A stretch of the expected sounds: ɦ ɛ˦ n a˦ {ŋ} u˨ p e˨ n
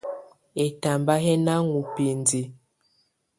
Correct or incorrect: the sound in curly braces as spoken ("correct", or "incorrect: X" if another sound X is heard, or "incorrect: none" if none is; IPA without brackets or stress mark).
correct